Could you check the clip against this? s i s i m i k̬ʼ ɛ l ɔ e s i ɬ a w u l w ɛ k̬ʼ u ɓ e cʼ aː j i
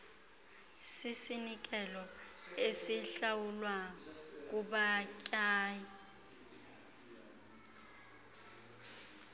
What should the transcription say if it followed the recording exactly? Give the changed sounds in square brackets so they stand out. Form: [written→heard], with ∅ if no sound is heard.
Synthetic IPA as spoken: s i s i [m→n] i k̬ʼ ɛ l ɔ e s i ɬ a w u l w [ɛ→a] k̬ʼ u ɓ [e→a] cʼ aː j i